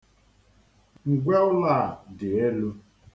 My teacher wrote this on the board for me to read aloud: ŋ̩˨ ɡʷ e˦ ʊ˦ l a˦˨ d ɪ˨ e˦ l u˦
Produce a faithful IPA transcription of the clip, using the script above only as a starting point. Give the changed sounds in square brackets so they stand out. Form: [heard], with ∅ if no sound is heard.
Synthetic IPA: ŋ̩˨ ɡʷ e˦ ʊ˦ l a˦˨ d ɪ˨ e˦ l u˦